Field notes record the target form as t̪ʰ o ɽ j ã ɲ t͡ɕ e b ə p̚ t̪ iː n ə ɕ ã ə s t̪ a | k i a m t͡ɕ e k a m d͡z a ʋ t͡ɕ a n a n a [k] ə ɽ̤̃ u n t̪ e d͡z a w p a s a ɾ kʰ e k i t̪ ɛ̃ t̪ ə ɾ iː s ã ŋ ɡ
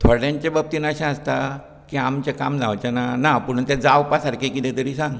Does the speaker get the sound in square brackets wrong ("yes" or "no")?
yes